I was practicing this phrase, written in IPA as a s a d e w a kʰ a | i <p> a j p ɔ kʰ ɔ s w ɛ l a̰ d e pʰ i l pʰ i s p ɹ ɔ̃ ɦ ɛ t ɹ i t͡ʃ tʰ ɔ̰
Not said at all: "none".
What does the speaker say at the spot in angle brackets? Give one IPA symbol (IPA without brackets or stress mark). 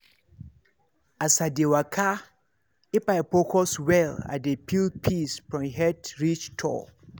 p